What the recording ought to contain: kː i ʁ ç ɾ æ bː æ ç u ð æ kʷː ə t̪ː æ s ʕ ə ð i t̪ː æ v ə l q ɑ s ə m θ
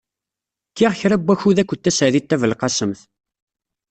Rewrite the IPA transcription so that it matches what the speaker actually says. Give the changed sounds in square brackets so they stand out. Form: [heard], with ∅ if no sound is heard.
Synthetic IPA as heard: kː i ʁ ç ɾ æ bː æ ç u ð æ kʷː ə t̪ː æ s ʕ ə ð i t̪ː æ v ə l q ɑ s ə m θ